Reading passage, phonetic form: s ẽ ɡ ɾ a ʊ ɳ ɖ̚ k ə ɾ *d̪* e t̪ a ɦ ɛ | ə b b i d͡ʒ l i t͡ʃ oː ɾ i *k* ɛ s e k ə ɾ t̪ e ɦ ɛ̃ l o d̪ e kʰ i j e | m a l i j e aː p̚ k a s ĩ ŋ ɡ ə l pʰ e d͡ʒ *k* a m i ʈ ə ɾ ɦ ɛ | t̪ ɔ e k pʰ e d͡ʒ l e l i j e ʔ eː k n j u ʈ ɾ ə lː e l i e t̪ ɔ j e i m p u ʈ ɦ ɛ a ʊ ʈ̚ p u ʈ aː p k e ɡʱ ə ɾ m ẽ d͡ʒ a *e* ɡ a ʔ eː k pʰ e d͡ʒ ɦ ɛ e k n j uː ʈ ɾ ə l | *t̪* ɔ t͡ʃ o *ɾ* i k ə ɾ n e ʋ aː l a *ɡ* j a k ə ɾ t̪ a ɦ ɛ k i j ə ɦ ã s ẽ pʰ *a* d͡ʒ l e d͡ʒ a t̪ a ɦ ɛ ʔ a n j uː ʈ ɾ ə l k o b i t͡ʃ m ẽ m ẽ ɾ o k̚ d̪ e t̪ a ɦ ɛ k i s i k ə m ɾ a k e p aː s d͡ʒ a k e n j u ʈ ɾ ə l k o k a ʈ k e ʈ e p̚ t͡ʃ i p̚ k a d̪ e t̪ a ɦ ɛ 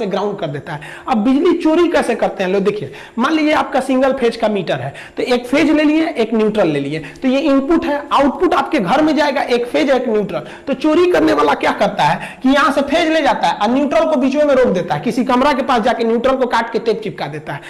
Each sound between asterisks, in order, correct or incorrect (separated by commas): correct, correct, correct, correct, correct, correct, incorrect, incorrect